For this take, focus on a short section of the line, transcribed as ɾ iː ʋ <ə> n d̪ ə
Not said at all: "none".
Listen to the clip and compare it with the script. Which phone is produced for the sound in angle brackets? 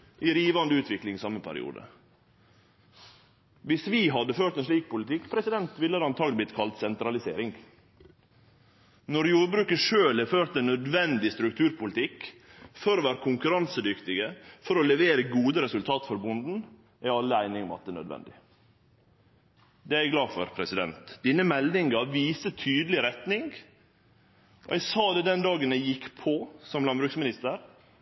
ɑ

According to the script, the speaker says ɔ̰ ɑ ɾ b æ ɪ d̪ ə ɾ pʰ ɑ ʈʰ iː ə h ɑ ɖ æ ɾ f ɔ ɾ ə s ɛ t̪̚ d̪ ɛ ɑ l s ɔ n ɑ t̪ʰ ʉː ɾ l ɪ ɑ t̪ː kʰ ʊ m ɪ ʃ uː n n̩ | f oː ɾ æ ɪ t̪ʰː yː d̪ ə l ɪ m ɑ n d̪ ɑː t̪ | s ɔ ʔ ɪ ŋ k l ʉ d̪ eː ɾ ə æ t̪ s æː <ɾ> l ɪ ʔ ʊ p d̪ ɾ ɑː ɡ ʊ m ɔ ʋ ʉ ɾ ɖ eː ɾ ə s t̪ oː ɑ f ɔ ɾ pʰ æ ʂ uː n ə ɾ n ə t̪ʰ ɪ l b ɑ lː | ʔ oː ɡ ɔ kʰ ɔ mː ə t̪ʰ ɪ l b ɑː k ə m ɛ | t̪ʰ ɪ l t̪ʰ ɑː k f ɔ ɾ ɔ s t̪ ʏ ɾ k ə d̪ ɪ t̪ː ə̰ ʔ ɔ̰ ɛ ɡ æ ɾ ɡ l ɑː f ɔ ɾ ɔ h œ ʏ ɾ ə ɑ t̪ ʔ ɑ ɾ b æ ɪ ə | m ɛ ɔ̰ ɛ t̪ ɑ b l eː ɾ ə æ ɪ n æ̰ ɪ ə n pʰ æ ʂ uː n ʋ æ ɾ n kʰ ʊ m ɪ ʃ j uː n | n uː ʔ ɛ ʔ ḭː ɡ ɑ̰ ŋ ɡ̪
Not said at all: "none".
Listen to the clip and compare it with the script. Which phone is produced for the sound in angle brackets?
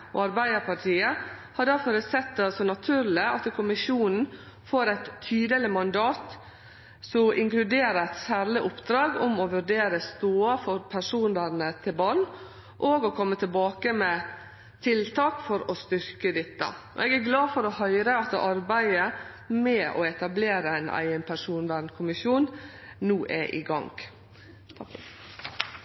ɾ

